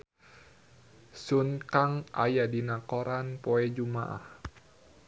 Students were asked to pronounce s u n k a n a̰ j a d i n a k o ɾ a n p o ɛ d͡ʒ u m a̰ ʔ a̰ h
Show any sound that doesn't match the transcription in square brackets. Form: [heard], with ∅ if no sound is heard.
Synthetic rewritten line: s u n k a [ŋ] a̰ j a d i n a k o ɾ a n p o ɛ d͡ʒ u m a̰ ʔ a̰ h